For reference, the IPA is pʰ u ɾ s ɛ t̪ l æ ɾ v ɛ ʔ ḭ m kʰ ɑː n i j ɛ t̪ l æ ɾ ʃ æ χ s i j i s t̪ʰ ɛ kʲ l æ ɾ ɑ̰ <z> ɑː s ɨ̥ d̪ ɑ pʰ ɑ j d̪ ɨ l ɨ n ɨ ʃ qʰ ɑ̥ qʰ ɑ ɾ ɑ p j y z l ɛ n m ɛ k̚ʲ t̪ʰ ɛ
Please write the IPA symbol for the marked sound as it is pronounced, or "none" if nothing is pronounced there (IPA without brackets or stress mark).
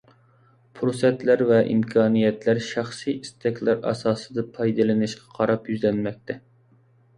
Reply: s